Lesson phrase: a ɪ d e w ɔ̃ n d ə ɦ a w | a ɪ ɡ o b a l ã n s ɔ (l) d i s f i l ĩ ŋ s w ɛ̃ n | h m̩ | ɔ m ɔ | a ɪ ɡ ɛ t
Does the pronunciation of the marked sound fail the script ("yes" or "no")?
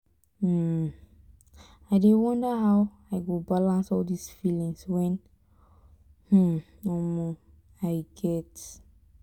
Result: no